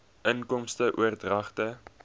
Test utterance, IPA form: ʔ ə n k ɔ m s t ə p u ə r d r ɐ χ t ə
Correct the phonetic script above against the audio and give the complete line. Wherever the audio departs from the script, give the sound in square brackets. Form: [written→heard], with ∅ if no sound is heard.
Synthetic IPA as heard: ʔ ə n k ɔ m s t ə [p→ʔ] u ə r d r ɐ χ t ə